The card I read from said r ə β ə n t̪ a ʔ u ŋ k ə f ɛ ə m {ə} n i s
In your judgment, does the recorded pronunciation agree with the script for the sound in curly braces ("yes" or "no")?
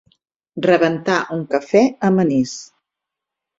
yes